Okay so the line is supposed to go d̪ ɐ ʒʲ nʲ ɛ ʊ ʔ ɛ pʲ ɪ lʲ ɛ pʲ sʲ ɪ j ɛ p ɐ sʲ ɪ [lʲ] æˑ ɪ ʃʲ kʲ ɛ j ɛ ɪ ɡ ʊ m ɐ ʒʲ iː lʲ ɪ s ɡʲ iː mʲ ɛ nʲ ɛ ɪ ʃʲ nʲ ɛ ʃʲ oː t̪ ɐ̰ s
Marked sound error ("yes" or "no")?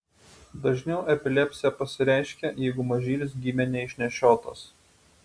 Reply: yes